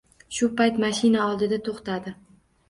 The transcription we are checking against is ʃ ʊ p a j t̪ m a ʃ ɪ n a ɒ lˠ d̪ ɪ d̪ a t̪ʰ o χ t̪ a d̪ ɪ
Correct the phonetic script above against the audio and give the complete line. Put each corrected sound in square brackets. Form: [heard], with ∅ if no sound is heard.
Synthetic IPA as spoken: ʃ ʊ p a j t̪ m a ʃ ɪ n a ɒ lˠ d̪ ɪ d̪ a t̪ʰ o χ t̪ a d̪ ɪ